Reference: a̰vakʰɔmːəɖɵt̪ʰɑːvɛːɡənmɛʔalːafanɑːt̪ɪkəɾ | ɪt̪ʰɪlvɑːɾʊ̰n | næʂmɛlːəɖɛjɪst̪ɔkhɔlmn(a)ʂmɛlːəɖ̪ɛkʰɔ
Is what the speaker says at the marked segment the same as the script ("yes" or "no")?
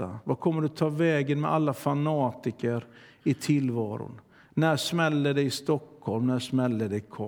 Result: no